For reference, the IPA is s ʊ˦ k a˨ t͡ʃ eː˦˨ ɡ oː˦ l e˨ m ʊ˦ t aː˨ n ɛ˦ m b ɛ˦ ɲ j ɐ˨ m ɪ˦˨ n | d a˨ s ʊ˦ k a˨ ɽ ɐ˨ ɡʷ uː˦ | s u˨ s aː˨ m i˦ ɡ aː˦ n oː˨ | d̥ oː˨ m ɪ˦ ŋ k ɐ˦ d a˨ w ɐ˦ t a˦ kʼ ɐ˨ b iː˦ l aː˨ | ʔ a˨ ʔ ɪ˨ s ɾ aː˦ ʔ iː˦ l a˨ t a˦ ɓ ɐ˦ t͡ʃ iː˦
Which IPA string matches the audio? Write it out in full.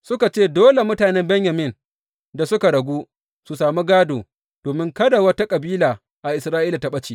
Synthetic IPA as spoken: s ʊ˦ k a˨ t͡ʃ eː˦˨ d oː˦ l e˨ m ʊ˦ t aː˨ n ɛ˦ m b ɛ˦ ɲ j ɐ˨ m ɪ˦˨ n | d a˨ s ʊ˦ k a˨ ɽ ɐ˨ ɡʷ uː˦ | s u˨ s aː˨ m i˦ ɡ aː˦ d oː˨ | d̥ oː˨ m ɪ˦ ŋ k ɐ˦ d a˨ w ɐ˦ t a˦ kʼ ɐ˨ b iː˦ l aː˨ | ʔ a˨ ʔ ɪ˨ s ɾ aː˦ ʔ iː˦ l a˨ t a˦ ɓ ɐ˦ t͡ʃ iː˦

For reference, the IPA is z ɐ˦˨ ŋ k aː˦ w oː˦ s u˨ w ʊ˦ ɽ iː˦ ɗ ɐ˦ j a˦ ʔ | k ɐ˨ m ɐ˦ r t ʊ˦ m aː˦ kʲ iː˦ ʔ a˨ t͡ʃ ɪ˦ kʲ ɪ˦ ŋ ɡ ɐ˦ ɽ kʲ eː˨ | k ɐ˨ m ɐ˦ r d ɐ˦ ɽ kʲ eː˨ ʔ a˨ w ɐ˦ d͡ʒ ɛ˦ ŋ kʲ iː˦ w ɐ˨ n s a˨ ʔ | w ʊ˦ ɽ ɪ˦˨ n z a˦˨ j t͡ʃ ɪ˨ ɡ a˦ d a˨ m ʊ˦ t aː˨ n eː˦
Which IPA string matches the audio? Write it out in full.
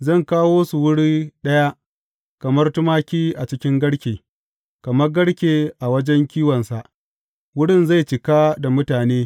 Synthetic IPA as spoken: z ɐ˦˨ ŋ k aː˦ w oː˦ s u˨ w ʊ˦ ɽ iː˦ ɗ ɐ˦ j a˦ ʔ | k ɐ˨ m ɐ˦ r t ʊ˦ m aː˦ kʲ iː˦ ʔ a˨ t͡ʃ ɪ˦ kʲ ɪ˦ ŋ ɡ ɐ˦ ɽ kʲ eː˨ | k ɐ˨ m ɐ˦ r ɡ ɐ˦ ɽ kʲ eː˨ ʔ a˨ w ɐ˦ d͡ʒ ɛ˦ ŋ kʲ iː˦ w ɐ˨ n s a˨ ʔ | w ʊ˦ ɽ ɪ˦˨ n z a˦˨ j t͡ʃ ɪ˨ k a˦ d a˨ m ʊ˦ t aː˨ n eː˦

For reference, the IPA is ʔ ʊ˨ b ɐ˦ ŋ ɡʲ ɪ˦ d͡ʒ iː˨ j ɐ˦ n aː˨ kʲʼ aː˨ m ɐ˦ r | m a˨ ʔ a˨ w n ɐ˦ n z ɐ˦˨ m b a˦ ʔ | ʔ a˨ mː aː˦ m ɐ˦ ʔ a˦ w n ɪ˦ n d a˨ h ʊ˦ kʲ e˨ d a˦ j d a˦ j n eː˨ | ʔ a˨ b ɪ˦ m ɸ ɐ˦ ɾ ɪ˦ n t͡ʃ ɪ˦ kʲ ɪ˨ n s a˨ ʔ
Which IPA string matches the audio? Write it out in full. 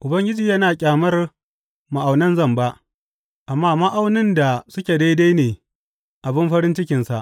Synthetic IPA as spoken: ʔ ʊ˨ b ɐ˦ ŋ ɡʲ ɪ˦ d͡ʒ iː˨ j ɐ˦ n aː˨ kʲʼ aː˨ m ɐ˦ r | m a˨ ʔ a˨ w n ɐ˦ n z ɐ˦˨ m b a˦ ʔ | ʔ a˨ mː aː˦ m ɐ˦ ʔ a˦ w n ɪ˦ n d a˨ s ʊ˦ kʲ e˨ d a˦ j d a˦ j n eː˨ | ʔ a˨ b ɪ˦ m ɸ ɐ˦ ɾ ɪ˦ n t͡ʃ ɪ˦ kʲ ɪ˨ n s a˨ ʔ

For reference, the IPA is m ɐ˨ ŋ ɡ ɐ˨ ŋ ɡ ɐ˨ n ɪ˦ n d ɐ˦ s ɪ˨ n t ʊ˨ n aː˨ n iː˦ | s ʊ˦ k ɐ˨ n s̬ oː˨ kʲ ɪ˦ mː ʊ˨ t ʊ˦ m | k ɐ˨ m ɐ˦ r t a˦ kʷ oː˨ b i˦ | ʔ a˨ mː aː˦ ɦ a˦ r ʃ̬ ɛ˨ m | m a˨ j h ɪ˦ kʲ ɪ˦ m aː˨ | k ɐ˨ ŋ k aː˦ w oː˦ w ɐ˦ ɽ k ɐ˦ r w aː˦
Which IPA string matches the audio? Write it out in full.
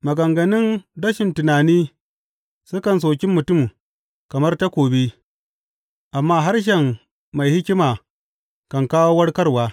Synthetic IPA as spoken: m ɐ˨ ɡ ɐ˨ ŋ ɡ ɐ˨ n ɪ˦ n d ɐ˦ ʃ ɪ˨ n t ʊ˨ n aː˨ n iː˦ | s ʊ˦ k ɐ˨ n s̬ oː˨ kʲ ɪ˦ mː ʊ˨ t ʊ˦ m | k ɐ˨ m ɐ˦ r t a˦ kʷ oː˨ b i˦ | ʔ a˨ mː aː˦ ɦ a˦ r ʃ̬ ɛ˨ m | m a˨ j h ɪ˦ kʲ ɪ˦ m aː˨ | k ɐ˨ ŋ k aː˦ w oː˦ w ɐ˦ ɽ k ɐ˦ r w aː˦

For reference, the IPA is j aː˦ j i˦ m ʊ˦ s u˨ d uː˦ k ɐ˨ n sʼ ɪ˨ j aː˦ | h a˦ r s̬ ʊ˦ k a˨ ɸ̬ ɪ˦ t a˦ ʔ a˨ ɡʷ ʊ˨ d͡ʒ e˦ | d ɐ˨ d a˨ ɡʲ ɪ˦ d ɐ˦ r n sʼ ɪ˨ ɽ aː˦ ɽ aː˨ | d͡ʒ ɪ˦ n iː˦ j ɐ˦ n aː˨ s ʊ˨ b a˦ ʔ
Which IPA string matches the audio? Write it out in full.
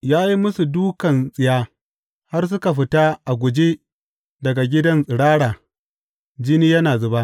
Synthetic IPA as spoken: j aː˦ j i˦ m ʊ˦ s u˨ d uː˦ k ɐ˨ n sʼ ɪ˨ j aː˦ | h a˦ r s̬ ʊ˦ k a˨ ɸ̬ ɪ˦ t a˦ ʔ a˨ ɡʷ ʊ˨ d͡ʒ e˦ | d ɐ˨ ɡ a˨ ɡʲ ɪ˦ d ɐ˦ n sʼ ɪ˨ ɽ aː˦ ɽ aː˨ | d͡ʒ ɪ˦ n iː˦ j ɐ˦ n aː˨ z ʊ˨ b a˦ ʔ

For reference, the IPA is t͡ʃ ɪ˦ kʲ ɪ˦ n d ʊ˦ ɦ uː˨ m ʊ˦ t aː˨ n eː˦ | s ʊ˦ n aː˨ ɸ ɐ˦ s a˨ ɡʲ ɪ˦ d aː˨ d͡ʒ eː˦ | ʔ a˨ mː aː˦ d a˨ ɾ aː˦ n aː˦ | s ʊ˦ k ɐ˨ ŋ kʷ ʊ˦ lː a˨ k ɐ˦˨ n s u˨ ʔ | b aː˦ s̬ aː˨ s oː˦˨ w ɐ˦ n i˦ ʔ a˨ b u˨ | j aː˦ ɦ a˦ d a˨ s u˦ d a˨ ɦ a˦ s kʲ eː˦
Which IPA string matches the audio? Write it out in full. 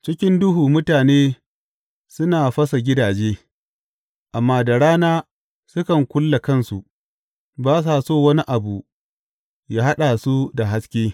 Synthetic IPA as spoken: t͡ʃ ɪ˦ kʲ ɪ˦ n d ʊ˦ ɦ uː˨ m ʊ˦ t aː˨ n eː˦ | s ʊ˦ n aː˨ ɸ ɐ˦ s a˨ ɡʲ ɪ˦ d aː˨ d͡ʒ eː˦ | ʔ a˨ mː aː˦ d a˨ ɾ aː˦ n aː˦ | s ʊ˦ k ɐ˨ ŋ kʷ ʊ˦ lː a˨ k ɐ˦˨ n s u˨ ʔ | b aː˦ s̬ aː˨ s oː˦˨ w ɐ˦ n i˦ ʔ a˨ b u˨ | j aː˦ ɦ a˦ ɗ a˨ s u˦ d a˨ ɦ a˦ s kʲ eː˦

